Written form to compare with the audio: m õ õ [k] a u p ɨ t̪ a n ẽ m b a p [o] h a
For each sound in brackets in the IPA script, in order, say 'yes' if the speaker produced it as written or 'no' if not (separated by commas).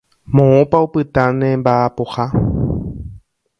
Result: no, yes